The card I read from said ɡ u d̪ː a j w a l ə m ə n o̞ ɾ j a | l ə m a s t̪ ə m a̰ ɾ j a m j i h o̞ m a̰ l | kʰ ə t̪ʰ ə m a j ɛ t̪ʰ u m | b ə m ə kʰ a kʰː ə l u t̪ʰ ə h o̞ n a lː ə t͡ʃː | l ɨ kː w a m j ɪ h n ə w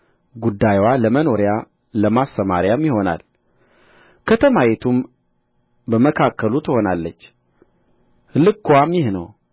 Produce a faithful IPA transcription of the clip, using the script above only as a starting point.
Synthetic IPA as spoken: ɡ u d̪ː a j w a l ə m ə n o̞ ɾ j a | l ə m a s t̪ ə m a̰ ɾ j a m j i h o̞ n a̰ l | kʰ ə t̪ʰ ə m a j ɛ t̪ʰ u m | b ə m ə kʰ a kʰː ə l u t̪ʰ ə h o̞ n a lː ə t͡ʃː | l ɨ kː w a m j ɪ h n ə w